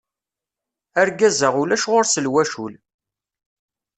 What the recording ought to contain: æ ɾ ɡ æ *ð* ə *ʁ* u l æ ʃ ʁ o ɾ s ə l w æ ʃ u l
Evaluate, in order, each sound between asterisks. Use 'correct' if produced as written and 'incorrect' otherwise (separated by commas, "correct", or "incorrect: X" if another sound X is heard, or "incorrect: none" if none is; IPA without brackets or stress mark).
incorrect: z, correct